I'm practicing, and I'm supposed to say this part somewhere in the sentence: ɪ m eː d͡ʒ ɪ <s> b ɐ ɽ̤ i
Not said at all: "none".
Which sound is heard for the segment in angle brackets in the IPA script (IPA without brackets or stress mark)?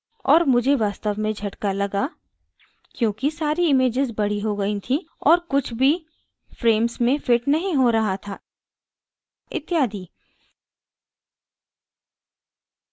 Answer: z